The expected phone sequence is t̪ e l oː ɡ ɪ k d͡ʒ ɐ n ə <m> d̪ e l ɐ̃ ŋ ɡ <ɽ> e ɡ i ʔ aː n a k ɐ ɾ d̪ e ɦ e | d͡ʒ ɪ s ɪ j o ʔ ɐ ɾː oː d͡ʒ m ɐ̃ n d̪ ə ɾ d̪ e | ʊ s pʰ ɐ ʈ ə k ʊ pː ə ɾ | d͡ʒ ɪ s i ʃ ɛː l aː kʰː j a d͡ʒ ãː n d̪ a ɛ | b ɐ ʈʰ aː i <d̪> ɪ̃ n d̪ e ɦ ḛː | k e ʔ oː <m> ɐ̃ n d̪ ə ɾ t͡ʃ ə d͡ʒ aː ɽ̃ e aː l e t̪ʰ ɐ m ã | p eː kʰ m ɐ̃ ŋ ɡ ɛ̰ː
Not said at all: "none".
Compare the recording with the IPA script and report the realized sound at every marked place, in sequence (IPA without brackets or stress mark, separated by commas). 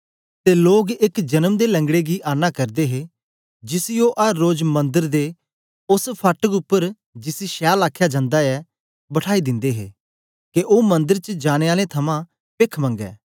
m, ɽ, d̪, m